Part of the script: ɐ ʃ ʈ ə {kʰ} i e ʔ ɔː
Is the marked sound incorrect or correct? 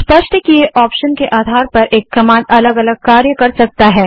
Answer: incorrect